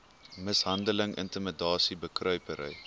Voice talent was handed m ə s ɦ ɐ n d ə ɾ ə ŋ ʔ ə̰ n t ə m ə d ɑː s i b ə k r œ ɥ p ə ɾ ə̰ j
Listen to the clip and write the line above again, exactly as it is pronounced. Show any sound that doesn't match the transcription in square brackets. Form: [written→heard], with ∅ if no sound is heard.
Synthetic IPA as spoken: m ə s ɦ ɐ n d ə [ɾ→l] ə ŋ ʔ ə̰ n t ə m ə d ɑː s i b ə k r œ ɥ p ə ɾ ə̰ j